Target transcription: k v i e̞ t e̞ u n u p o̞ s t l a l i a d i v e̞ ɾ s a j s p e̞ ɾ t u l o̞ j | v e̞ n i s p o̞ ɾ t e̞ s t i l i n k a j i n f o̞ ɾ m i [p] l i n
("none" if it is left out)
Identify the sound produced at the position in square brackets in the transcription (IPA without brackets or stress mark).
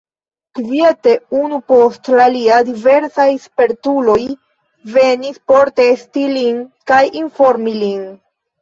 none